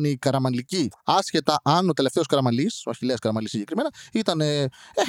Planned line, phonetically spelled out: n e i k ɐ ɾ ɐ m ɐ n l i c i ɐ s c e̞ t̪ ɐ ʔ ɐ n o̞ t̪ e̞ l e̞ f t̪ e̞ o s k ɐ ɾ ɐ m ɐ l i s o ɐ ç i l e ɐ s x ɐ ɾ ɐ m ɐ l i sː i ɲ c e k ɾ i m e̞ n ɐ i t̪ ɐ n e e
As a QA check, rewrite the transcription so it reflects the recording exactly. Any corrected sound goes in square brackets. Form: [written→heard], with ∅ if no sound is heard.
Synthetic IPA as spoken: n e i k ɐ ɾ ɐ m ɐ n l i c i ɐ s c e̞ t̪ ɐ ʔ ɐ n o̞ t̪ e̞ l e̞ f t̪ e̞ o s k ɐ ɾ ɐ m ɐ l i s o ɐ ç i l e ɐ s [x→k] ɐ ɾ ɐ m ɐ l i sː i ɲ [c→ɟ] e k ɾ i m e̞ n ɐ i t̪ ɐ n e e